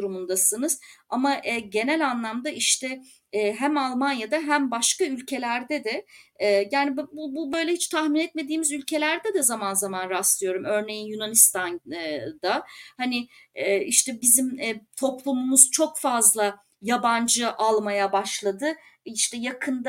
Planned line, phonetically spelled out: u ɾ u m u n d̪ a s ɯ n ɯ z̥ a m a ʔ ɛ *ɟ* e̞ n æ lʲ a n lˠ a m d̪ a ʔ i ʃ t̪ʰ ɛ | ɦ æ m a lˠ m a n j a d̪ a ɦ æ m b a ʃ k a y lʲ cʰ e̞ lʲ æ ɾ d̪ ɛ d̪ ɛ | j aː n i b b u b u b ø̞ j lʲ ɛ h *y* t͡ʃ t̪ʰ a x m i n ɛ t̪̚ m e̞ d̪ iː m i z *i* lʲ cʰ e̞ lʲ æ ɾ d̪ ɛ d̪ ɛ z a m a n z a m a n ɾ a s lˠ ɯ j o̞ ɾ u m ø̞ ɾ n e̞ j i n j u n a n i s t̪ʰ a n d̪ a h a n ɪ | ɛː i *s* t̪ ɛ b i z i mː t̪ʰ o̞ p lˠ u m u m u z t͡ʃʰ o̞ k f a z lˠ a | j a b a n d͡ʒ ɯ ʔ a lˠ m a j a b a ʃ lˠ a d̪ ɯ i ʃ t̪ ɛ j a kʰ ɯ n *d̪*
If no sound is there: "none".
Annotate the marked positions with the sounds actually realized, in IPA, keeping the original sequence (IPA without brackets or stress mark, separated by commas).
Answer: ɟ, i, y, ʃ, d̪